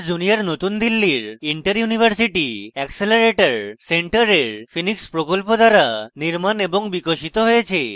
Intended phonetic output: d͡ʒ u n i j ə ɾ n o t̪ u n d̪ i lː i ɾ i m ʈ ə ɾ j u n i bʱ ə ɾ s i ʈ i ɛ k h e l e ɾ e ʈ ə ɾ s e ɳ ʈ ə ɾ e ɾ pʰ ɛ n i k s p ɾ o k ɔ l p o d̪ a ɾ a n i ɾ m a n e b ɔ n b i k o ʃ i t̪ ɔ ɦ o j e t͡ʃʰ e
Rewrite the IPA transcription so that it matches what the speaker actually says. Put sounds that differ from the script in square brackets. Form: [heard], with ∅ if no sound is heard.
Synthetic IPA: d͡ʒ u n i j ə ɾ n o t̪ u n d̪ i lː i ɾ i [ɳ] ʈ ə ɾ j u n i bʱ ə ɾ s i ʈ i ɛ k [s] e l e ɾ e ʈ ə ɾ s e ɳ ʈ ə ɾ e ɾ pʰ [i] n i k s p ɾ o k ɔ l p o d̪ a ɾ a n i ɾ m a n e b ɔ [ŋ] b i k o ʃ i t̪ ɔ ɦ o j e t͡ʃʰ e